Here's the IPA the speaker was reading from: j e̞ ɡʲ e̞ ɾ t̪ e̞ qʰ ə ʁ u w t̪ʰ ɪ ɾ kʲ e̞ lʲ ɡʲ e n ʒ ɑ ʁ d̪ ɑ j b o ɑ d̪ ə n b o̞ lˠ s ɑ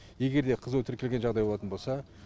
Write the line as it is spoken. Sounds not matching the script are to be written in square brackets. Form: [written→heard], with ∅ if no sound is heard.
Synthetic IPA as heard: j e̞ ɡʲ e̞ ɾ [t̪→d̪] e̞ qʰ ə [ʁ→z] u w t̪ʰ ɪ ɾ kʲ e̞ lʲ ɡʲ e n ʒ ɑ ʁ d̪ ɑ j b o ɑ [d̪→t̪] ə n b o̞ lˠ s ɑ